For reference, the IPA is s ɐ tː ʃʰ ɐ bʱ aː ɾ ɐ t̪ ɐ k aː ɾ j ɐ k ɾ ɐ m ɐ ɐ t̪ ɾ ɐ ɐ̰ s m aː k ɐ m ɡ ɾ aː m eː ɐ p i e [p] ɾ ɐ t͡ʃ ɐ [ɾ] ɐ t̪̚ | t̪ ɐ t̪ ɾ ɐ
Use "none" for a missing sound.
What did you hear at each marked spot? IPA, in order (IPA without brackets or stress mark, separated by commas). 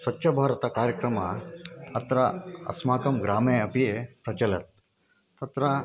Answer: p, l